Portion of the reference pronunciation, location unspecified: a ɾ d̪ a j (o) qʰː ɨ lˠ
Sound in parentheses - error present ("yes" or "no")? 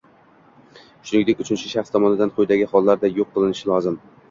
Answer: no